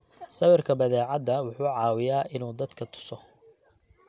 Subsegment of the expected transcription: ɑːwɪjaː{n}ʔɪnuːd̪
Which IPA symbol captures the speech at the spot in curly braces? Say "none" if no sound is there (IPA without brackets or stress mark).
none